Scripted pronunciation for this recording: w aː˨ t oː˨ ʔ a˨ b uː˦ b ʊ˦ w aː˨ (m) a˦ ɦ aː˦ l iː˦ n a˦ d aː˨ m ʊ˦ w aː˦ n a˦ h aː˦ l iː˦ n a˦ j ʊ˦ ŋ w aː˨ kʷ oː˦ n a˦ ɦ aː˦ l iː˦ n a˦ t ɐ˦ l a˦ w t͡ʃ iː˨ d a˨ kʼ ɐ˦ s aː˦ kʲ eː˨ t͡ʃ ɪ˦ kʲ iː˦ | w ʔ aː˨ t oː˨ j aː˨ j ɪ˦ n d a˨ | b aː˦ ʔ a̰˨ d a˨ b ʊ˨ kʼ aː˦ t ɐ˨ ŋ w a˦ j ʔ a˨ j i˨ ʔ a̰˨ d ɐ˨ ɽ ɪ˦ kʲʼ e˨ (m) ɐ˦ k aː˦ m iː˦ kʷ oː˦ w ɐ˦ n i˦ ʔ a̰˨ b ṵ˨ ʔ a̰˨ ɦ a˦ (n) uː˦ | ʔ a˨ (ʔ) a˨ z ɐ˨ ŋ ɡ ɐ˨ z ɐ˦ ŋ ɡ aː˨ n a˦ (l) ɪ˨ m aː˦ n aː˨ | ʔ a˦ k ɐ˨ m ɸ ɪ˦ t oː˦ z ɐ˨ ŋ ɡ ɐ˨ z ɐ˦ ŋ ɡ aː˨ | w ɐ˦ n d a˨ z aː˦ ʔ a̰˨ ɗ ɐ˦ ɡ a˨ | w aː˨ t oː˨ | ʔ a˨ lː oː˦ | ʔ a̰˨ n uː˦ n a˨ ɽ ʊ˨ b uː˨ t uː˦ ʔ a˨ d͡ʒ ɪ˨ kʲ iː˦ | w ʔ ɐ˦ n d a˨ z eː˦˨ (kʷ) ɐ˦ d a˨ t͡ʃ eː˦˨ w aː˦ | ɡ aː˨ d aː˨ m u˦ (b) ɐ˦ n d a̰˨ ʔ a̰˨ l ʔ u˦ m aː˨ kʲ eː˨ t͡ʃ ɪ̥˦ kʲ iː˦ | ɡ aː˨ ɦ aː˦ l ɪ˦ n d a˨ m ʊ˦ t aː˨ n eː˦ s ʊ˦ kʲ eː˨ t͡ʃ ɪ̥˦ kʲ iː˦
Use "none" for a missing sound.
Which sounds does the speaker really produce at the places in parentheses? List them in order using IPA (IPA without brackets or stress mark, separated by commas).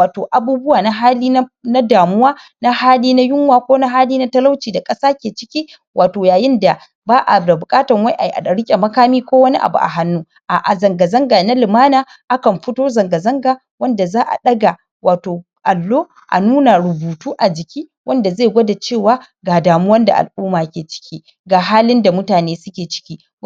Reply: n, m, nː, ʔ, l, ɡʷ, w